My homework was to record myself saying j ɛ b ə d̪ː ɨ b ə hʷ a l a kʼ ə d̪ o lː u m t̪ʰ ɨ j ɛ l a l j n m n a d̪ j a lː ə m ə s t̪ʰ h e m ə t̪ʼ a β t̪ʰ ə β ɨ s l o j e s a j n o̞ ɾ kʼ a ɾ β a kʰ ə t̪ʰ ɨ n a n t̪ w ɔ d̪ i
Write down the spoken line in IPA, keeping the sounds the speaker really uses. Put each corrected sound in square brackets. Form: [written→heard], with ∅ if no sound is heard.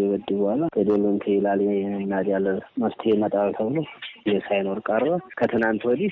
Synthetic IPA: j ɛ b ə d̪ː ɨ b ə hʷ a l a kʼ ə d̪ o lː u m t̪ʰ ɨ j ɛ l a l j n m n a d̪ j a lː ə m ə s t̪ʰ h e m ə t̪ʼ a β t̪ʰ ə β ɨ [s→∅] l o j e s a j n o̞ ɾ kʼ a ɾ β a kʰ ə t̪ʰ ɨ n a n t̪ w ɔ d̪ i